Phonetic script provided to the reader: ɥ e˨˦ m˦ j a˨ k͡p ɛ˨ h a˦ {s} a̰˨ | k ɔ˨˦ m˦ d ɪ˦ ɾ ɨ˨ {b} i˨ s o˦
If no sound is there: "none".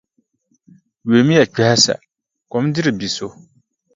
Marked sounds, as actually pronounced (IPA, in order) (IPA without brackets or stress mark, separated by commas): s, b